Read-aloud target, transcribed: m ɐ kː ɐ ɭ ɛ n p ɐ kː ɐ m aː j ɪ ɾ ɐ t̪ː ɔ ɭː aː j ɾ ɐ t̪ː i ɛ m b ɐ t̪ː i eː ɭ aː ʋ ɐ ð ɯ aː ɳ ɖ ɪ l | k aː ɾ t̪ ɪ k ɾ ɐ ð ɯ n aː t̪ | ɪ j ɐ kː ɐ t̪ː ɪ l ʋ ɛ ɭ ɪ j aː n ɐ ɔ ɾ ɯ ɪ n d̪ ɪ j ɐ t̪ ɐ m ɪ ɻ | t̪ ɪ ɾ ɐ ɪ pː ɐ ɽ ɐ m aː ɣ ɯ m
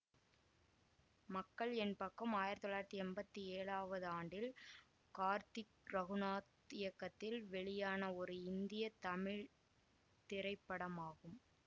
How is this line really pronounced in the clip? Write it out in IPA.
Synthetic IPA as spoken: m ɐ kː ɐ ɭ ɛ n p ɐ kː ɐ m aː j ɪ ɾ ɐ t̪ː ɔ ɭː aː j ɾ ɐ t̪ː i ɛ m b ɐ t̪ː i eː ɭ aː ʋ ɐ ð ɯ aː ɳ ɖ ɪ l | k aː ɾ t̪ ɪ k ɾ ɐ ɣ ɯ n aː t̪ | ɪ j ɐ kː ɐ t̪ː ɪ l ʋ ɛ ɭ ɪ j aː n ɐ ɔ ɾ ɯ ɪ n d̪ ɪ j ɐ t̪ ɐ m ɪ ɻ | t̪ ɪ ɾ ɐ ɪ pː ɐ ɽ ɐ m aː ɣ ɯ m